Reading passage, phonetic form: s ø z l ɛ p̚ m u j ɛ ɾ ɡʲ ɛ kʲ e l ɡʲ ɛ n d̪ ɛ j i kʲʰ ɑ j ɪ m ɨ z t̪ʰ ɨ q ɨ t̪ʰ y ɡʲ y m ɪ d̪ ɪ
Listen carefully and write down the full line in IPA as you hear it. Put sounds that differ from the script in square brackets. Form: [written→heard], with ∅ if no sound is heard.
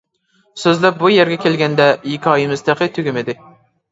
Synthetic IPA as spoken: s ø z l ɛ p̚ [m→b] u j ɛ ɾ ɡʲ ɛ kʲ e l ɡʲ ɛ n d̪ ɛ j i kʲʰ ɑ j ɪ m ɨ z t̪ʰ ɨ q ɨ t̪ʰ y ɡʲ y m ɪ d̪ ɪ

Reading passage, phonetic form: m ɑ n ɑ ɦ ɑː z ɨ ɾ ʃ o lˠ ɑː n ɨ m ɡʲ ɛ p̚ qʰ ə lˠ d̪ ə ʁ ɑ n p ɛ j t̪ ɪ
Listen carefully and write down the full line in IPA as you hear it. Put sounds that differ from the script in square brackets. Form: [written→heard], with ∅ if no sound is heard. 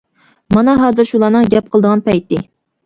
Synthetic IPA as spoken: m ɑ n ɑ ɦ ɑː z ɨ ɾ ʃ [o→u] lˠ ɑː n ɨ [m→ŋ] ɡʲ ɛ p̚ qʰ ə lˠ d̪ ə ʁ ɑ n p ɛ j t̪ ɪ

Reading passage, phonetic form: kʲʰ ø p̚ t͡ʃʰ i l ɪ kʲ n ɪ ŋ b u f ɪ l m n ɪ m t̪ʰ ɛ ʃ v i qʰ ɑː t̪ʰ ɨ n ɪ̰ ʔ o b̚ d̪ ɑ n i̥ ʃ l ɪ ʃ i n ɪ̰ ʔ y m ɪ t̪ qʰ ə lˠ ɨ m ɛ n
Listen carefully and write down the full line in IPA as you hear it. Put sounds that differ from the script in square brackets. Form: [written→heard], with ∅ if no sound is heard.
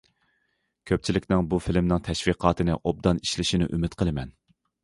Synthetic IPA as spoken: kʲʰ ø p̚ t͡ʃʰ i l ɪ kʲ n ɪ ŋ b u f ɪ l m n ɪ [m→ŋ] t̪ʰ ɛ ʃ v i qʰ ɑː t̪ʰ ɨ n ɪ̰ ʔ o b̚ d̪ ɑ n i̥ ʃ l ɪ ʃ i n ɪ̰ ʔ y m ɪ t̪ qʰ ə lˠ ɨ m ɛ n

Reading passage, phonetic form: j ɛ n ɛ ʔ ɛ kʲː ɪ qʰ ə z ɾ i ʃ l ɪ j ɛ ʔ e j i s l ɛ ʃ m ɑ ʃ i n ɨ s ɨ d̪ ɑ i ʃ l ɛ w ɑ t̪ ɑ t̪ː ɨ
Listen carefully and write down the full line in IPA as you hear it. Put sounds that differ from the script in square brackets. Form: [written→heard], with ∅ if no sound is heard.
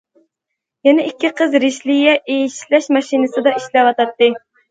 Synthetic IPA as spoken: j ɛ n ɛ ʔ [ɛ→i] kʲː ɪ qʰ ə z ɾ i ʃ l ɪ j ɛ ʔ e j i [s→ʃ] l ɛ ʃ m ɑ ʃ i n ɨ s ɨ d̪ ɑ i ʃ l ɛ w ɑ t̪ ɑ t̪ː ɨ

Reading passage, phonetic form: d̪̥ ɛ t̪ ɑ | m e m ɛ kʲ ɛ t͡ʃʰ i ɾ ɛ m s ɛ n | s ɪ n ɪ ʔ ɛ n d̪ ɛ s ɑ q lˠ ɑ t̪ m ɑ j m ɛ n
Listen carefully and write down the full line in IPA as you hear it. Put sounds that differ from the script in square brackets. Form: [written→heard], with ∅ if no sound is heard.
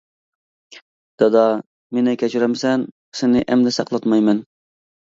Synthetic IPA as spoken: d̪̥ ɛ [t̪→d̪] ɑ | m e [m→n] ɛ kʲ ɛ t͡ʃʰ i ɾ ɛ m s ɛ n | s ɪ n ɪ ʔ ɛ [n→m] d̪ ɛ s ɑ q lˠ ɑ t̪ m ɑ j m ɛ n

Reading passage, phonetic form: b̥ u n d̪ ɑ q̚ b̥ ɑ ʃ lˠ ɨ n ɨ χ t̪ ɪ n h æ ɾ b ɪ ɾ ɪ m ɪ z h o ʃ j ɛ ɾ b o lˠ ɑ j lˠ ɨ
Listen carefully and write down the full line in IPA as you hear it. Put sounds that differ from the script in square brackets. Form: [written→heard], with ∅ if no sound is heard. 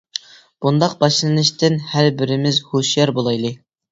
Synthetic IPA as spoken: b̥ u n d̪ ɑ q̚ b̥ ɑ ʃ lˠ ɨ n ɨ [χ→ʃ] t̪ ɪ n h æ ɾ b ɪ ɾ ɪ m ɪ z h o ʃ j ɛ ɾ b o lˠ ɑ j lˠ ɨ

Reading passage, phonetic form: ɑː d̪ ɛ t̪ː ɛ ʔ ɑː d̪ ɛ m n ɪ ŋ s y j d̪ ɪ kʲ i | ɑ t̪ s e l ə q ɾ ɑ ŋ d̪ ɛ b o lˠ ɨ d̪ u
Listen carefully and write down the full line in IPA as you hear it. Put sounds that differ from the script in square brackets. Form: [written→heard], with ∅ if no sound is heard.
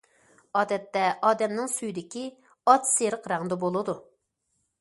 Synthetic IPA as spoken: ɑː d̪ ɛ t̪ː ɛ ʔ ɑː d̪ ɛ m n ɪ ŋ s y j d̪ ɪ kʲ i | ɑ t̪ s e [l→ɾ] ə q ɾ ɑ ŋ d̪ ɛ b o lˠ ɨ d̪ u

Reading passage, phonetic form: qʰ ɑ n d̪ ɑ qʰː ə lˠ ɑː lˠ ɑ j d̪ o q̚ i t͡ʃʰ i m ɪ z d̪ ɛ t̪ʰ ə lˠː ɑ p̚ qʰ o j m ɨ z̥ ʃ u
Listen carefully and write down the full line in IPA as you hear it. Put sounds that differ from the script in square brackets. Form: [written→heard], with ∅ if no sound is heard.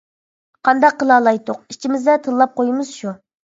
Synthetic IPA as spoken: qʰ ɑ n d̪ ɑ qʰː ə lˠ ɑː lˠ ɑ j [d̪→t̪] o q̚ i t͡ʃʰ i m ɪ z d̪ ɛ t̪ʰ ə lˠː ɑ p̚ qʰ o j m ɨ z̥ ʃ u

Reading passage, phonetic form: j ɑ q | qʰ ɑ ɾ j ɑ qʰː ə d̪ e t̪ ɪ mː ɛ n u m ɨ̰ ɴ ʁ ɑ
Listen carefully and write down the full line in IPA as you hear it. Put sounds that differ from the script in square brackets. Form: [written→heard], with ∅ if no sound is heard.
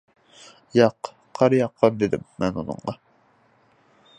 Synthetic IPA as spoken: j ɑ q | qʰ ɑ ɾ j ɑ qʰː [ə→ɑ] d̪ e [t̪→d̪] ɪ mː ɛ n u [m→n] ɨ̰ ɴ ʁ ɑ

